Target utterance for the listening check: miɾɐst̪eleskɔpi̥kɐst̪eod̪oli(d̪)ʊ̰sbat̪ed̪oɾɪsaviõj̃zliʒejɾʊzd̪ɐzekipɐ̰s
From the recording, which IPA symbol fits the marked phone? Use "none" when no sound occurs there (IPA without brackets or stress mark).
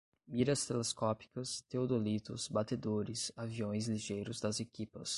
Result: t̪